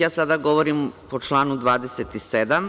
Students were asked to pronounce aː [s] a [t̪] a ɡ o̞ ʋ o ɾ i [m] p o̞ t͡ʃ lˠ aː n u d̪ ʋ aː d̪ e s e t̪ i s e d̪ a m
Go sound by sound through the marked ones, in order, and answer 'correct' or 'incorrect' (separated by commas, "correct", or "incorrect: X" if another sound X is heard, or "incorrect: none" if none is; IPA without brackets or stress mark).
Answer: correct, incorrect: d̪, correct